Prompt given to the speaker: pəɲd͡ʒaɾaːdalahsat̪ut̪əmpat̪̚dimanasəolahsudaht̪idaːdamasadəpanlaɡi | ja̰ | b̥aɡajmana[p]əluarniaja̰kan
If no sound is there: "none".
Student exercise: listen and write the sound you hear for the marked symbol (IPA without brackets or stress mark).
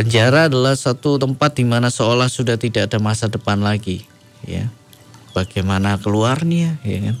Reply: k